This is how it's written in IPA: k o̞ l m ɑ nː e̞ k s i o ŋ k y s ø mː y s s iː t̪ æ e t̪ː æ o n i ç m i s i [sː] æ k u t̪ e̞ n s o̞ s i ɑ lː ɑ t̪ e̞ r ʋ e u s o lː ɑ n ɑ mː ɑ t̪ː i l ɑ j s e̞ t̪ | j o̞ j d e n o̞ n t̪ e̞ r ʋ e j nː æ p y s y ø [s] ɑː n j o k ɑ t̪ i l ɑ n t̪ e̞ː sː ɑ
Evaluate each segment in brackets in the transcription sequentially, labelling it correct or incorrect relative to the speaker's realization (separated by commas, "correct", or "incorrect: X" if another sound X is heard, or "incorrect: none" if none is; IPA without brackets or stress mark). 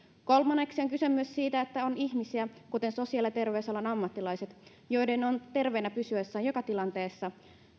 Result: incorrect: none, incorrect: sː